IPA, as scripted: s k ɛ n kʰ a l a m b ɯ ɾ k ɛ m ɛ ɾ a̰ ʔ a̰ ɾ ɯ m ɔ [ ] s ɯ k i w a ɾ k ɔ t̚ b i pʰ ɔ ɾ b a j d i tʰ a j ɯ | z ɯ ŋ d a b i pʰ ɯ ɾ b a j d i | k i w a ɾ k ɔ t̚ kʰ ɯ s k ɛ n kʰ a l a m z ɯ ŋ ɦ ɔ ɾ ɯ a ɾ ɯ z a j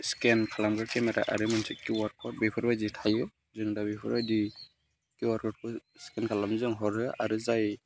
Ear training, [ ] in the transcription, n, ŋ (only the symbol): n